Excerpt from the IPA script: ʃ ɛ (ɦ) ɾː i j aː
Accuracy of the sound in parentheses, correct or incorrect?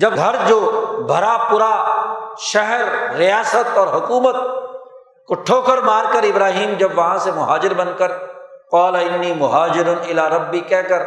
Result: correct